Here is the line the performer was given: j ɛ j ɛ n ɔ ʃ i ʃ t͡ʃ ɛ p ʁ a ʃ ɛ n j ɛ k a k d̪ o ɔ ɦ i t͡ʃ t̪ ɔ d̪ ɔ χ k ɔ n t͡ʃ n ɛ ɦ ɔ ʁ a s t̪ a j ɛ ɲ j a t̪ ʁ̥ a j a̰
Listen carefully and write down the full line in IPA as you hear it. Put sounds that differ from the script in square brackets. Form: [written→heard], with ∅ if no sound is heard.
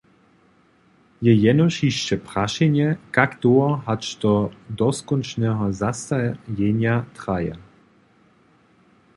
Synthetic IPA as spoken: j ɛ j ɛ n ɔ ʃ i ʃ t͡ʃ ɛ p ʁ a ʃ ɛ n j ɛ k a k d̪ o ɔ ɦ [i→a] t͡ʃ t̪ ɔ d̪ ɔ [χ→s] k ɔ n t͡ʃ n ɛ ɦ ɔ [ʁ→z] a s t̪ a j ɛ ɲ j a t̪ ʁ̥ a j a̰